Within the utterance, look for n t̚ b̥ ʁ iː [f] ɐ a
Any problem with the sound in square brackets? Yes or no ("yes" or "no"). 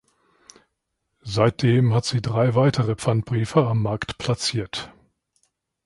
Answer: no